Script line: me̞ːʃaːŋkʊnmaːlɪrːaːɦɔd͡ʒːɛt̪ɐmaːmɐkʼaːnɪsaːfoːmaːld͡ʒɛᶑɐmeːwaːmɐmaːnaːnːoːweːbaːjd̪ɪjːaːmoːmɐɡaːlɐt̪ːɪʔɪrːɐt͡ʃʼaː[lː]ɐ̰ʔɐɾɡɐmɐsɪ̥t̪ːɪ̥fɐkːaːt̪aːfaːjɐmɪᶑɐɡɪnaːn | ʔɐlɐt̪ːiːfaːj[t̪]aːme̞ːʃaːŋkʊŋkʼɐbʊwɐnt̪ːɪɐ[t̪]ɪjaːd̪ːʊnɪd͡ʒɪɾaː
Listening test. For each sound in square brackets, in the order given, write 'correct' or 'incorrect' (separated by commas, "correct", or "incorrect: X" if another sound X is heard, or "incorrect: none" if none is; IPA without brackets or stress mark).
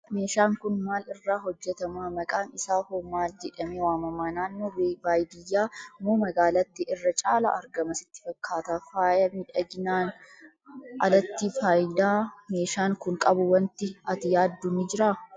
incorrect: l, incorrect: d̪, correct